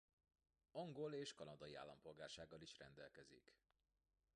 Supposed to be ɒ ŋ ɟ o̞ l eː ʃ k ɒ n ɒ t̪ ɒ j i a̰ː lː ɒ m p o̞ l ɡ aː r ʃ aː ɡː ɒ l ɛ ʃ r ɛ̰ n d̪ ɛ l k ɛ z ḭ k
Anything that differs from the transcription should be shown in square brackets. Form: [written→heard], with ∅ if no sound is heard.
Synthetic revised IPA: ɒ ŋ [ɟ→ɡ] o̞ l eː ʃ k ɒ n ɒ [t̪→d̪] ɒ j i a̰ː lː ɒ m p o̞ l ɡ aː r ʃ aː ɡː ɒ l [ɛ→i] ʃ r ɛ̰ n d̪ ɛ l k ɛ z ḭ k